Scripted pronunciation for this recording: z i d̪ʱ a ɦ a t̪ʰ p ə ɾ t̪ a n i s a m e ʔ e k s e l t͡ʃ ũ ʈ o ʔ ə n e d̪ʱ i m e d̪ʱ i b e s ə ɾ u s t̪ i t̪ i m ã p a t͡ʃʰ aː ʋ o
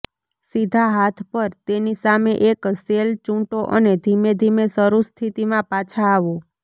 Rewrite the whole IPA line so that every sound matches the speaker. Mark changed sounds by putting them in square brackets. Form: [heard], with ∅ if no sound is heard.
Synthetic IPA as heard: [s] i d̪ʱ a ɦ a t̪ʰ p ə ɾ t̪ [e] n i s a m e ʔ e k s e l t͡ʃ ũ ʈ o ʔ ə n e d̪ʱ i m e d̪ʱ i [m] e s ə ɾ u s [t̪ʰ] i t̪ i m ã p a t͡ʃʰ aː ʋ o

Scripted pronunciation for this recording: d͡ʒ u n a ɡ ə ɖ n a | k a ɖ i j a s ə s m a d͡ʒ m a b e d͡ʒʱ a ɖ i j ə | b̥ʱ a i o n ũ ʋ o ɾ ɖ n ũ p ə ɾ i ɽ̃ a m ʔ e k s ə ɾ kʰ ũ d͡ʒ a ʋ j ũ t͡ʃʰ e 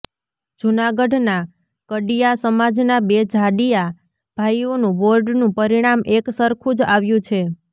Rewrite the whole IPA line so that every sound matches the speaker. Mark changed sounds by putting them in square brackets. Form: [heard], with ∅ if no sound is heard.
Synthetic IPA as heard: d͡ʒ u n a ɡ ə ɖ n a | k [ə] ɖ i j a s ə [∅] m a d͡ʒ [n] a b e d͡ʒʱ a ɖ i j [a] | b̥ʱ a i o n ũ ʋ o ɾ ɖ n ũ p ə ɾ i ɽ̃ a m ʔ e k s ə ɾ kʰ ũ d͡ʒ a ʋ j ũ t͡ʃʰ e

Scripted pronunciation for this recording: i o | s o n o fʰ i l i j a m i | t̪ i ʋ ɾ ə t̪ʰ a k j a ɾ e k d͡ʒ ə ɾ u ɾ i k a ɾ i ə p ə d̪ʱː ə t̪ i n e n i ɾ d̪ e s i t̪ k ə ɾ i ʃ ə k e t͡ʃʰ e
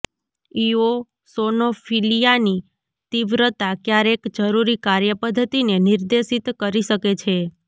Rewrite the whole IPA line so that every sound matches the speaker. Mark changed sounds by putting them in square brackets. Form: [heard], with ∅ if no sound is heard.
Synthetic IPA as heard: i o | s o n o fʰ i l i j a [n] i | t̪ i ʋ ɾ ə [t̪] a k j a ɾ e k d͡ʒ ə ɾ u ɾ i k a ɾ [j] ə p ə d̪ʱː ə t̪ i n e n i ɾ d̪ e [ʃ] i t̪ k ə ɾ i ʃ ə k e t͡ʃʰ e

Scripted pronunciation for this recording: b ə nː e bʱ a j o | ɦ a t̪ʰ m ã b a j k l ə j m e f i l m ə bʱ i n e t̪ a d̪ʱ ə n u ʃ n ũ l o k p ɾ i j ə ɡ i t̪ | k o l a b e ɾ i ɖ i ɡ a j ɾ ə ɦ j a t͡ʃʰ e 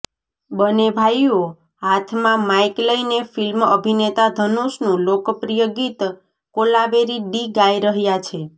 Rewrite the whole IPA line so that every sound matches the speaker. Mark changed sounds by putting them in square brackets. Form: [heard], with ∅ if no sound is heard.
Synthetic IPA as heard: b ə [n] e bʱ a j o | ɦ a t̪ʰ m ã [m] a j k l ə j [n] e f i l m ə bʱ i n e t̪ a d̪ʱ ə n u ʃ n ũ l o k p ɾ i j ə ɡ i t̪ | k o l a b e ɾ i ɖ i ɡ a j ɾ ə ɦ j a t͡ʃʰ e

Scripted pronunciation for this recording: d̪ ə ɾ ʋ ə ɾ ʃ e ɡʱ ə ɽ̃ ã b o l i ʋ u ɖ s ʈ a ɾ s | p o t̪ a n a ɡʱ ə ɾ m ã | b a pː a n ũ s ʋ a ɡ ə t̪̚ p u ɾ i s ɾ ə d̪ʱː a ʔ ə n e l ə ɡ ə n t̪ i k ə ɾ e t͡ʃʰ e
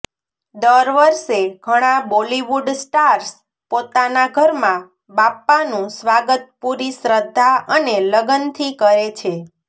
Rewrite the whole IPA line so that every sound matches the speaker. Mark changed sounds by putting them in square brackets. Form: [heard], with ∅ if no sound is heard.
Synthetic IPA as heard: d̪ ə ɾ ʋ ə ɾ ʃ e ɡʱ ə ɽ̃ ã b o l i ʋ u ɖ s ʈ a ɾ s | p o t̪ a n a ɡʱ ə ɾ m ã | b a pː a n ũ s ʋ a ɡ ə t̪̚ p u ɾ i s ɾ ə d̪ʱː a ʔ ə n e l ə ɡ ə n [t̪ʰ] i k ə ɾ e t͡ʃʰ e

